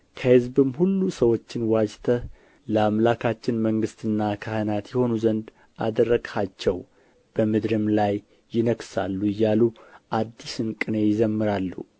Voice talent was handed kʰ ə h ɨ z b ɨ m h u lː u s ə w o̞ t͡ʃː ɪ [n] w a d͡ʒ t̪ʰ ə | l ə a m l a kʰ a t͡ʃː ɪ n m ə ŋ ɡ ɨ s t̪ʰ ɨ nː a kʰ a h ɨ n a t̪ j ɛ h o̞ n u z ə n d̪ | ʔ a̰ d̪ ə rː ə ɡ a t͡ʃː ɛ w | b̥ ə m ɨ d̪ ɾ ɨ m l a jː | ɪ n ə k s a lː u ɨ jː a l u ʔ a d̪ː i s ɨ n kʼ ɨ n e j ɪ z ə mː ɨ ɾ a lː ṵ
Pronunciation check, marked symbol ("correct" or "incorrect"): correct